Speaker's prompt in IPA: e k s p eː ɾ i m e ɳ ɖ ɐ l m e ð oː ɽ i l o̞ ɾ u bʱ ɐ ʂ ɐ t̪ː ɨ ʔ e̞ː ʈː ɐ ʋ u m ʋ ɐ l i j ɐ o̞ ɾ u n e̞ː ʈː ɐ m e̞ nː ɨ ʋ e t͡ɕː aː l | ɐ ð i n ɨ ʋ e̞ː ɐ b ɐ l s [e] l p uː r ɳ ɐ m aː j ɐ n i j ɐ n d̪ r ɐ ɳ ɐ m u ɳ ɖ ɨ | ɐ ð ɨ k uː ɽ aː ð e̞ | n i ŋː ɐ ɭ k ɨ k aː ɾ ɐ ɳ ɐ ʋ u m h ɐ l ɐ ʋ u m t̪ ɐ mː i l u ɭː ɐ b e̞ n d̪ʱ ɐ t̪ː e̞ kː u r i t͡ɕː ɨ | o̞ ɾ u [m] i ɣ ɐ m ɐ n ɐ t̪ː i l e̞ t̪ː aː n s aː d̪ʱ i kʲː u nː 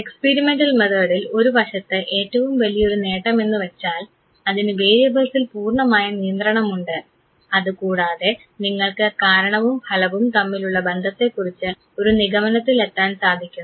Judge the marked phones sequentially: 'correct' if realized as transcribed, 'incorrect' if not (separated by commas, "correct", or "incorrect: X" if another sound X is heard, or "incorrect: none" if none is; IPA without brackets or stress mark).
incorrect: i, incorrect: n